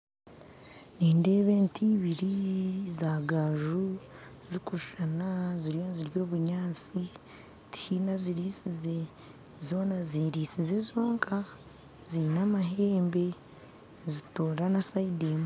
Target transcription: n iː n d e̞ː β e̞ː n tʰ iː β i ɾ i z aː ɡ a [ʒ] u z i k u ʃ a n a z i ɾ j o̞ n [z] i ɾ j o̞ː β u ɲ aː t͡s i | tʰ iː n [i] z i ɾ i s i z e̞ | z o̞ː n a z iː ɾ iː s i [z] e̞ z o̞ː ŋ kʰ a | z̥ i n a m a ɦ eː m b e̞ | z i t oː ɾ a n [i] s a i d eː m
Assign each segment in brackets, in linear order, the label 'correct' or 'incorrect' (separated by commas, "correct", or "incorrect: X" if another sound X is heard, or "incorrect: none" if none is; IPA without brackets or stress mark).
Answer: correct, correct, incorrect: a, correct, incorrect: a